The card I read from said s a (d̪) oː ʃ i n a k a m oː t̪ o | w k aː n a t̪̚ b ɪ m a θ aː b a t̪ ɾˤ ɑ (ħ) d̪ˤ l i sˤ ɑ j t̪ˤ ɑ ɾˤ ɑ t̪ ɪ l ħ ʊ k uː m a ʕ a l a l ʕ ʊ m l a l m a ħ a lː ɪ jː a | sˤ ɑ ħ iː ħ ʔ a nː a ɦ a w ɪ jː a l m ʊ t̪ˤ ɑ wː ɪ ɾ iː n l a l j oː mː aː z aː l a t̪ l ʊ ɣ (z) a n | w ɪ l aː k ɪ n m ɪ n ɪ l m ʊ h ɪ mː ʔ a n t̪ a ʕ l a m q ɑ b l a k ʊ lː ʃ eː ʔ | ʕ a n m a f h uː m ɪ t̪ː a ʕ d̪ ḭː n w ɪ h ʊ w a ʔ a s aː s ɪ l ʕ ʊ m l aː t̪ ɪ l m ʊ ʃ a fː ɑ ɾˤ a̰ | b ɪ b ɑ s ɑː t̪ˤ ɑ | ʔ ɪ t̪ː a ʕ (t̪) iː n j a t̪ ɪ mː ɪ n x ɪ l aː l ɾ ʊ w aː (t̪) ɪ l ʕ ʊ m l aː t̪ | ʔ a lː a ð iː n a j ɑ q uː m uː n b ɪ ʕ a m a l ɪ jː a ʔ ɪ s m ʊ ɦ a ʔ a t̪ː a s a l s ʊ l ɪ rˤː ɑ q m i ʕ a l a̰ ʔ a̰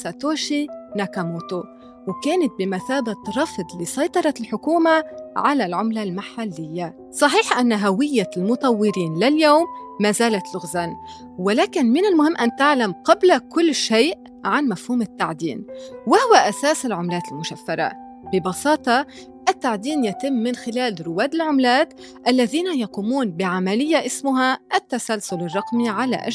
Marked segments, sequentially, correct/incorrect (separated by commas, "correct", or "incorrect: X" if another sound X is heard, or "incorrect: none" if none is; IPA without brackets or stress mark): incorrect: t̪, incorrect: f, correct, incorrect: d̪, incorrect: d̪